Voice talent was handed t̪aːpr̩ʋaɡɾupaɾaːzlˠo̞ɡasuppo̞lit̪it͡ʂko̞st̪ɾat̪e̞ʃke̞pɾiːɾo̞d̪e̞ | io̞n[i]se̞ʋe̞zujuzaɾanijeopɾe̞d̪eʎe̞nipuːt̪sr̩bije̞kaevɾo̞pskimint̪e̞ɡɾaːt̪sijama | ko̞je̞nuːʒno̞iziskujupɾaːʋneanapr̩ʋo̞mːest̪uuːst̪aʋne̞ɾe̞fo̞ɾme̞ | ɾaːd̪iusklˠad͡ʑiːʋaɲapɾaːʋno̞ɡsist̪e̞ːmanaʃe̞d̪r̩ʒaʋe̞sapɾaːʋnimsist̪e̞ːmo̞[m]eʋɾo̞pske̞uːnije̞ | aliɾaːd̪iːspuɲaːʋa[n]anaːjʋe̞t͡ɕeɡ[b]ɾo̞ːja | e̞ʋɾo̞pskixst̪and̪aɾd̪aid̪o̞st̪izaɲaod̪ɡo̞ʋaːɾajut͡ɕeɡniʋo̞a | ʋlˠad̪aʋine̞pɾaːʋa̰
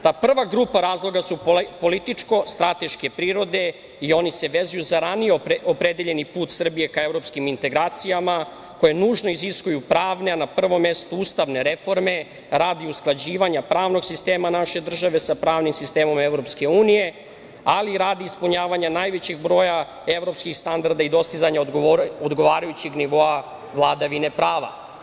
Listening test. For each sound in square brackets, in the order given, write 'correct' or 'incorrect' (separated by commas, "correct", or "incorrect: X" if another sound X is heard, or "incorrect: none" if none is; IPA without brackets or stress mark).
correct, correct, incorrect: ɲ, correct